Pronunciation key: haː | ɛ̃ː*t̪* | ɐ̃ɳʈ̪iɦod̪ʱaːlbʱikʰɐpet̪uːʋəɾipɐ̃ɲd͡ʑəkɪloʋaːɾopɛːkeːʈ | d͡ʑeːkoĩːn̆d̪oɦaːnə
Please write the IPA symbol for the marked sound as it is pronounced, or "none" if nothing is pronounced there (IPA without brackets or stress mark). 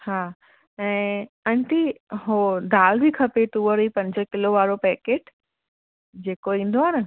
none